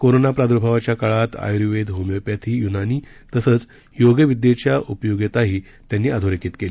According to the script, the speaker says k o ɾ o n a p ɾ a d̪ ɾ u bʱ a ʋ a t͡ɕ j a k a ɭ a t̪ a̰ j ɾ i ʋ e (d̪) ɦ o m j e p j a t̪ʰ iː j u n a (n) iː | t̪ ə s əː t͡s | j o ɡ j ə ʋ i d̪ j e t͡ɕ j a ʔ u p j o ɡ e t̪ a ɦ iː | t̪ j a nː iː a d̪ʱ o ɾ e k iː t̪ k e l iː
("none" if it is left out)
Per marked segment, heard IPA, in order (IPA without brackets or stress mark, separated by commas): d̪, n